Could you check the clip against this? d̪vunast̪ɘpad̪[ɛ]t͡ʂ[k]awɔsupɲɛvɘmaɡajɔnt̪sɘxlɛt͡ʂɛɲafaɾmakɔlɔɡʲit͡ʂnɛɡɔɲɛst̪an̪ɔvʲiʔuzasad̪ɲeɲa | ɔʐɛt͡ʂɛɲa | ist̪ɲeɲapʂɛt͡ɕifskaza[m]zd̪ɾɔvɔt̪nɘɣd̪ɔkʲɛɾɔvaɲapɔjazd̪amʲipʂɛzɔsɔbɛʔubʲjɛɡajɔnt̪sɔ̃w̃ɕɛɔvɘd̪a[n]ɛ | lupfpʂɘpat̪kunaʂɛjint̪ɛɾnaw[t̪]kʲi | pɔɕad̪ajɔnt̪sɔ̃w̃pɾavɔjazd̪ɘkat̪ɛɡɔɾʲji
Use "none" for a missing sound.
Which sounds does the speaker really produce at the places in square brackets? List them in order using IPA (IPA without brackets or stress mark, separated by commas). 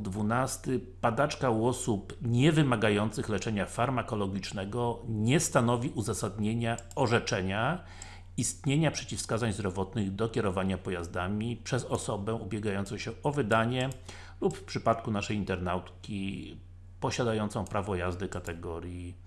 a, k, ɲ, ɲ, t̪